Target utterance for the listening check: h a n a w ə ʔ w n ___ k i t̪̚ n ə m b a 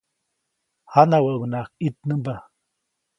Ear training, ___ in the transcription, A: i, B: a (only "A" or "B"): B